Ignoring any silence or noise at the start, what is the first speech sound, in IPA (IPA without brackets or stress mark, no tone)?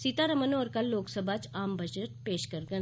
s